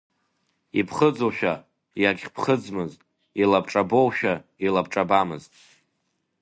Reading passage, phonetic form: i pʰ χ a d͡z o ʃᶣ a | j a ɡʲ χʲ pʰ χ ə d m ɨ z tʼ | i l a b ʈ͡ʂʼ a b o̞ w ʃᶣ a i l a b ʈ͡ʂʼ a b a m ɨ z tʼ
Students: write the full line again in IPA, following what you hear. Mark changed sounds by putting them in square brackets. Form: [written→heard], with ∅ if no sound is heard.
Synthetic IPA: i pʰ χ [a→ə] d͡z o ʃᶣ a | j a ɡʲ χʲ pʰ χ ə [d→d͡z] m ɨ z tʼ | i l a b ʈ͡ʂʼ a b o̞ w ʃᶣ a i l a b ʈ͡ʂʼ a b a m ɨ z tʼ